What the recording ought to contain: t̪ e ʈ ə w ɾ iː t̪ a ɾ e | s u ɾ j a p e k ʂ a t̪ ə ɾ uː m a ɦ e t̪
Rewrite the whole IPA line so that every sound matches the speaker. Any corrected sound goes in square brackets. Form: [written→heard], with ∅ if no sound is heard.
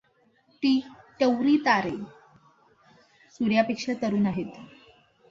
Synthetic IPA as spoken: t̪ [e→i] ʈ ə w ɾ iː t̪ a ɾ e | s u ɾ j a p e k ʂ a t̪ ə ɾ uː [m→n] a ɦ e t̪